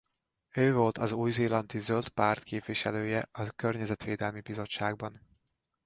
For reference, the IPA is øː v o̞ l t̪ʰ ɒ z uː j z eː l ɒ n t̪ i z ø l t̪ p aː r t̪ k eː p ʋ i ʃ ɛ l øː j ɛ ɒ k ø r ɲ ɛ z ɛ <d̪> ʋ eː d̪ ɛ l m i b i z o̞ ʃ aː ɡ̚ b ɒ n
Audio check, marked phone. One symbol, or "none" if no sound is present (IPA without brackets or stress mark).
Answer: t̪